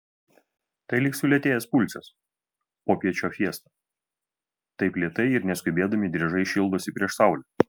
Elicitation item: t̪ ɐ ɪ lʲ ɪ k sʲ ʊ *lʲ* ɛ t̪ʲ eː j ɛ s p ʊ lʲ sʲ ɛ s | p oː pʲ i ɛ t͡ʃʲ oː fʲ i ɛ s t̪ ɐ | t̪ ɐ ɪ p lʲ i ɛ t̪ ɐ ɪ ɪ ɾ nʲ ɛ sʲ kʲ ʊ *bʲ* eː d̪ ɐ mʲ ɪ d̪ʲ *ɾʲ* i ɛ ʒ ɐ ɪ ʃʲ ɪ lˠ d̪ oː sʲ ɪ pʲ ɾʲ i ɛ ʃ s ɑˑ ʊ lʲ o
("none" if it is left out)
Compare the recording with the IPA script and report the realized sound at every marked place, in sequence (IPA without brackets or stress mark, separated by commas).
lʲ, bʲ, ɾʲ